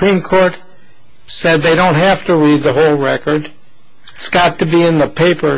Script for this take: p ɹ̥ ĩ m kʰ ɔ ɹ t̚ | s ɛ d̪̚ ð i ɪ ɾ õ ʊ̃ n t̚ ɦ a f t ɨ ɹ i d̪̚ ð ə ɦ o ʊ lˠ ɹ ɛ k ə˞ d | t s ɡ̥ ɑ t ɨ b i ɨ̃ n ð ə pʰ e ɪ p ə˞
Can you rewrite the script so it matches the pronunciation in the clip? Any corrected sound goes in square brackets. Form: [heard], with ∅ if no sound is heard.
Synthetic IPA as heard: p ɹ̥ ĩ m kʰ ɔ ɹ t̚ | s ɛ d̪̚ ð [e] ɪ ɾ õ ʊ̃ n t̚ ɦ [æ] f t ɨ ɹ i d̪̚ ð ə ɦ o ʊ lˠ ɹ ɛ k ə˞ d | t s ɡ̥ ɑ t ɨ b i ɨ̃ n ð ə pʰ e ɪ p ə˞